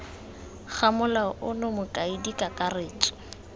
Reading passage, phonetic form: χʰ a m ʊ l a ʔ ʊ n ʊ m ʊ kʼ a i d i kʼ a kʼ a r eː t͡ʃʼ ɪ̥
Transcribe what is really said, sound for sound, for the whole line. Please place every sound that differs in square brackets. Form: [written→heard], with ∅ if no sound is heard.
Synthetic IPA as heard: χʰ a m ʊ l a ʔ ʊ n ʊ m ʊ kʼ a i d i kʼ a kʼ a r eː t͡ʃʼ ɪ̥